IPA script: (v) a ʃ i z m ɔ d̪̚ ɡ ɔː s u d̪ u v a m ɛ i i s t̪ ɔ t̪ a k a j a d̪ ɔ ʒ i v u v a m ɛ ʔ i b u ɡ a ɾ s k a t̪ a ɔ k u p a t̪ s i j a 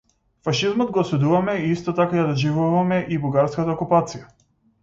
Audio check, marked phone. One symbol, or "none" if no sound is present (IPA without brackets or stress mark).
f